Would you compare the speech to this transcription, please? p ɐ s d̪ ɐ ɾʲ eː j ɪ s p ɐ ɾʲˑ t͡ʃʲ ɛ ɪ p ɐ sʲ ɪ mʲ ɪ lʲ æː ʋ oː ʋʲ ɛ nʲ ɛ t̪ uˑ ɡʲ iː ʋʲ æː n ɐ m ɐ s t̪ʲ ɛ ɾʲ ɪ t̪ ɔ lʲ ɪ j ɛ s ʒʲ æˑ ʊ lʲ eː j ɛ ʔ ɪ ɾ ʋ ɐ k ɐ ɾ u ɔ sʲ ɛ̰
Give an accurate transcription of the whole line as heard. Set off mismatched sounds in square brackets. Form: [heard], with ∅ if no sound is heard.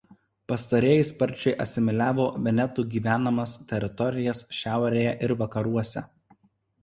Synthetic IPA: p ɐ s [t̪] ɐ ɾʲ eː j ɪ s p ɐ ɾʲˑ t͡ʃʲ ɛ ɪ [ʔ] ɐ sʲ ɪ mʲ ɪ lʲ æː ʋ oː ʋʲ ɛ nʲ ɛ t̪ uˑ ɡʲ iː ʋʲ æː n ɐ m ɐ s t̪ʲ ɛ ɾʲ ɪ t̪ ɔ [ɾʲ] ɪ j ɛ s [ʃʲ] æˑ ʊ [ɾʲ] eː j ɛ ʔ ɪ ɾ ʋ ɐ k ɐ ɾ u ɔ sʲ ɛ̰

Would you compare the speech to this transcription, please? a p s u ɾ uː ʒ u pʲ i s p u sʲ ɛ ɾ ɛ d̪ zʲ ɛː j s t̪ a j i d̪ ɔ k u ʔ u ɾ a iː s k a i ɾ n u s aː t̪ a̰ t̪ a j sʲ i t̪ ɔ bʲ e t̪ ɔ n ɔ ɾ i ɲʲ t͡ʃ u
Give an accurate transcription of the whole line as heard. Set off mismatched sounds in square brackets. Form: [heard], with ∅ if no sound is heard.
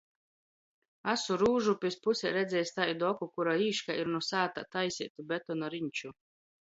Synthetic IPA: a [∅] s u ɾ uː ʒ u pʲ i s p u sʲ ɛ ɾ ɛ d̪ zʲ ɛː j s t̪ a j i d̪ ɔ k u [k] u ɾ a iː [ʃ] k a i ɾ n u s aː t̪ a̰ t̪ a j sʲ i t̪ [u] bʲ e t̪ ɔ n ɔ ɾ i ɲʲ t͡ʃ u

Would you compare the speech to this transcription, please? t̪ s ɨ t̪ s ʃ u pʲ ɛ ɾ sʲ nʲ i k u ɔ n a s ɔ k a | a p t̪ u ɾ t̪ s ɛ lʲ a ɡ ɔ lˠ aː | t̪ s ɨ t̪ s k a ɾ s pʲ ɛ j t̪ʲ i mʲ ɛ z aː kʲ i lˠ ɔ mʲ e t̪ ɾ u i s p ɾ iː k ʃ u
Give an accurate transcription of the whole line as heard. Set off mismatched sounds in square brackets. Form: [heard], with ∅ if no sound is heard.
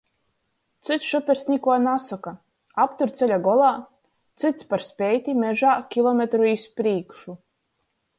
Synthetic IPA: t̪ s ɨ t̪ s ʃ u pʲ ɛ ɾ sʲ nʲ i k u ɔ n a s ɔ k a | a p t̪ u ɾ t̪ s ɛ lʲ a ɡ ɔ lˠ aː | t̪ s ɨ t̪ s [p] a ɾ s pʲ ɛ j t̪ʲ i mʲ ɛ [ʒ] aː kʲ i lˠ ɔ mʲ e t̪ ɾ u i s p ɾ iː k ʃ u

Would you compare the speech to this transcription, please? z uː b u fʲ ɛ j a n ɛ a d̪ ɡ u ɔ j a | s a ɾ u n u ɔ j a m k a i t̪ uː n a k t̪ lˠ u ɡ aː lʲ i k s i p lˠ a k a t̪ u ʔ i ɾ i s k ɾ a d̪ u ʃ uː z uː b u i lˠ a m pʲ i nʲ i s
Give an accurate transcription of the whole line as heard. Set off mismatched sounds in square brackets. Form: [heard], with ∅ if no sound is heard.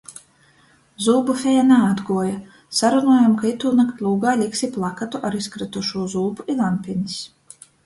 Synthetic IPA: z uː b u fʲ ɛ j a n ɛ a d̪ ɡ u ɔ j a | s a ɾ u n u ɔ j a m k a i t̪ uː n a k t̪ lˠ [uː] ɡ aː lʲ i k s i p lˠ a k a t̪ u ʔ [a] ɾ i s k ɾ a [t̪] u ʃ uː z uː b u i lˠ a m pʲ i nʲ i s

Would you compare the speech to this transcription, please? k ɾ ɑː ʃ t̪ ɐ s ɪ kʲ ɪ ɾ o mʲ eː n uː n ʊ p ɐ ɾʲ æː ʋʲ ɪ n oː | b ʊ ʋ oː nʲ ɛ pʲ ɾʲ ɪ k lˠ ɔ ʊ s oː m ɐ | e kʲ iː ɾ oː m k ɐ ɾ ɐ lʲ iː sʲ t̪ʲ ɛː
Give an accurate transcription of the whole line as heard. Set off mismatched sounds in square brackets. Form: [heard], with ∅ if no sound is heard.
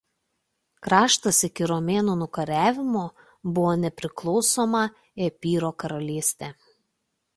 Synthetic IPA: k ɾ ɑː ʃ t̪ ɐ s ɪ kʲ ɪ ɾ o mʲ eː n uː n ʊ [k] ɐ ɾʲ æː ʋʲ ɪ [m] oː | b ʊ ʋ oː nʲ ɛ pʲ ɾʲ ɪ k lˠ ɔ ʊ s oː m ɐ | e [pʲ] iː ɾ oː [∅] k ɐ ɾ ɐ lʲ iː sʲ t̪ʲ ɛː

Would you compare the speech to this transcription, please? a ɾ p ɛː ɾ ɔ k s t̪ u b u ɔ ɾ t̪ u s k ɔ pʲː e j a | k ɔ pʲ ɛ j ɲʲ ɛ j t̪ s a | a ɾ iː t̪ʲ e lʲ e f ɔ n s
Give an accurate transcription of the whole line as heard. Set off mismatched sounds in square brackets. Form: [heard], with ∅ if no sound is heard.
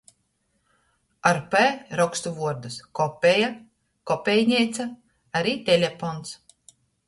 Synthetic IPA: a ɾ p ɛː ɾ ɔ k s t̪ u [v] u ɔ ɾ [d̪] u s k ɔ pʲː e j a | k ɔ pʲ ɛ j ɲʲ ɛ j t̪ s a | a ɾ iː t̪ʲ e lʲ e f ɔ n s

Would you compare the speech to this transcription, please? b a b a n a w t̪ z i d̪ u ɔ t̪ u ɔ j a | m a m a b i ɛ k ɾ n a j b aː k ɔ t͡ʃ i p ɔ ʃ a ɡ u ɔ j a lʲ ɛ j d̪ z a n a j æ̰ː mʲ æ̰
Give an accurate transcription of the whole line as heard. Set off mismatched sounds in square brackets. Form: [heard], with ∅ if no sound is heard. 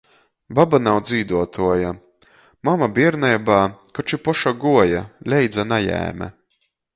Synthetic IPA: b a b a n a w [d̪] z [iː] d̪ u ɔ t̪ u ɔ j a | m a m a b i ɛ [∅] ɾ n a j b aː k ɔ t͡ʃ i p ɔ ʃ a ɡ u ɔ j a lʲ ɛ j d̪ z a n a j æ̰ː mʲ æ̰

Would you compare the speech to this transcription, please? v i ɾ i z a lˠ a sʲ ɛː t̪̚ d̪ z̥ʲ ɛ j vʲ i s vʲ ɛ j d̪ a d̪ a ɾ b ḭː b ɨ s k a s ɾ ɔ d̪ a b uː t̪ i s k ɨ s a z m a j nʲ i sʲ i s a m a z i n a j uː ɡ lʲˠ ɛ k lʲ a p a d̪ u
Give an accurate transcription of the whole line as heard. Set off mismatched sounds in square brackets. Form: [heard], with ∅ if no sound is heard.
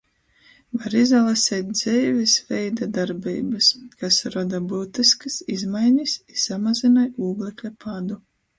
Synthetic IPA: v [a] ɾ i z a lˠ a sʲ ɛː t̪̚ d̪ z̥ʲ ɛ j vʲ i s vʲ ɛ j d̪ a d̪ a ɾ b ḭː b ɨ s k a s ɾ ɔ d̪ a b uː t̪ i s k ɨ s [i] z m a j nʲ i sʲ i s a m a z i n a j uː ɡ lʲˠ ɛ k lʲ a p a d̪ u

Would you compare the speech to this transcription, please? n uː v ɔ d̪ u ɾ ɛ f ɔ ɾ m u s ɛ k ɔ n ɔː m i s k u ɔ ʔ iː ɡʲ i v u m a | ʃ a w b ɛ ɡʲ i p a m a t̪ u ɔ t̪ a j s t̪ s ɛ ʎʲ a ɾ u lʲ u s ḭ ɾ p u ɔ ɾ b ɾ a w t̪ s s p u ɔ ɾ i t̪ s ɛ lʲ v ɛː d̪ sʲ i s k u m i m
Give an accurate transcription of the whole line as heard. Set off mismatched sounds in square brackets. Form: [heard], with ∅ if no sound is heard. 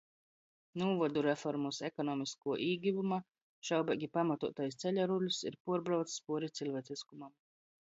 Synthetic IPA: n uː v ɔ d̪ u ɾ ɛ f ɔ ɾ m u s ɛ k ɔ n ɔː m i s k u ɔ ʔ iː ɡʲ i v u m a | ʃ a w b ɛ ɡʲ i p a m a t̪ u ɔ t̪ a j s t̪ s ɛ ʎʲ a ɾ u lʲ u s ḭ ɾ p u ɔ ɾ b ɾ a w t̪ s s p u ɔ ɾ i t̪ s [i] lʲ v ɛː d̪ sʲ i s k u m [a] m

